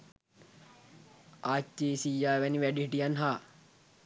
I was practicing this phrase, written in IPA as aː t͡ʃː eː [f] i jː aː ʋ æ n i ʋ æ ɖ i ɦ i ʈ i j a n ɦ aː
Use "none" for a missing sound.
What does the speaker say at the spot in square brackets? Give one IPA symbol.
s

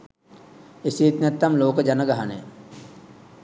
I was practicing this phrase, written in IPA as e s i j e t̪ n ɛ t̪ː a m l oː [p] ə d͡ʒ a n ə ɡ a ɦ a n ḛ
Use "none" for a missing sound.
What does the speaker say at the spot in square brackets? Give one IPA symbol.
k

